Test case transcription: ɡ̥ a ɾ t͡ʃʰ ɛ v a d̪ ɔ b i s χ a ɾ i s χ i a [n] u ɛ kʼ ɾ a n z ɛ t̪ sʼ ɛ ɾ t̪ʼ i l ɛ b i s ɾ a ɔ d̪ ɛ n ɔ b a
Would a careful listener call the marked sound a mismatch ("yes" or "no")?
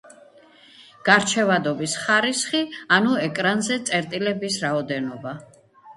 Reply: no